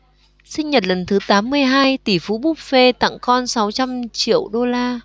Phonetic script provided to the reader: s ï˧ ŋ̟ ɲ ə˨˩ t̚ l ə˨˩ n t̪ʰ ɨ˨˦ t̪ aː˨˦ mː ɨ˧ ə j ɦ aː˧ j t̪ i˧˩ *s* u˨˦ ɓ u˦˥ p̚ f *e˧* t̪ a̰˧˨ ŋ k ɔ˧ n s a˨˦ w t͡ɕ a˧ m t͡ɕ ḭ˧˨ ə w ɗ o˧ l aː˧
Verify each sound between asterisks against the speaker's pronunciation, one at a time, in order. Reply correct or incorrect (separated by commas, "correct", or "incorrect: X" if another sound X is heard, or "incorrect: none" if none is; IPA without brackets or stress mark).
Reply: incorrect: f, correct